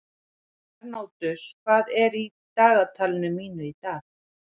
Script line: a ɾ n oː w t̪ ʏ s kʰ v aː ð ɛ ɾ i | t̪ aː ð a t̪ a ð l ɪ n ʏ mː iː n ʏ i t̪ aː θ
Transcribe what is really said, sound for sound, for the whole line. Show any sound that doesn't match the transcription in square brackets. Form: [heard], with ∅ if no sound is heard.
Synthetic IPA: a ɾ n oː w t̪ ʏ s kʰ v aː ð ɛ ɾ i | t̪ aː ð a [t̪ʰ] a [∅] l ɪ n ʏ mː iː n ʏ i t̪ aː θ

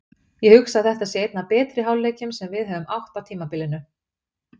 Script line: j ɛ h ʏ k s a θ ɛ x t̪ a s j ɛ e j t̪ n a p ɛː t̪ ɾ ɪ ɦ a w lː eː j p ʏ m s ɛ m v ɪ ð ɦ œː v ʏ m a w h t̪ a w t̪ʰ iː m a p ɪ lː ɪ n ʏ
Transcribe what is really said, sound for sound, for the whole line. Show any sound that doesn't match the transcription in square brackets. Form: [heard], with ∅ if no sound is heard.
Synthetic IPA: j ɛ h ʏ k s a θ ɛ [h] t̪ a s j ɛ e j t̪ n a p ɛː t̪ ɾ ɪ ɦ a w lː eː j [c] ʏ m s ɛ m v ɪ ð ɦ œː v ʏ m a w h t̪ a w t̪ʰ iː m a p ɪ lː ɪ n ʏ

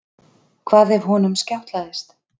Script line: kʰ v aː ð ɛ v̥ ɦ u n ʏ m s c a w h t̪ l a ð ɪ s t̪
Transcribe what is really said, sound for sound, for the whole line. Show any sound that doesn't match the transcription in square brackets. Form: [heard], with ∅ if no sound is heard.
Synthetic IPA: kʰ v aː ð ɛ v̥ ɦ [ɔ] n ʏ m s c a w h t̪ l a ð ɪ s t̪

